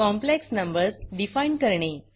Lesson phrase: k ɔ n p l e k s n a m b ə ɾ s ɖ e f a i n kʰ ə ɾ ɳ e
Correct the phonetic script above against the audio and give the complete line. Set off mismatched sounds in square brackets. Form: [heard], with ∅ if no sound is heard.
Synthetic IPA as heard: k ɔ [m] p l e k s n [ə] m b ə ɾ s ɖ [i] f a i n [k] ə ɾ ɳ e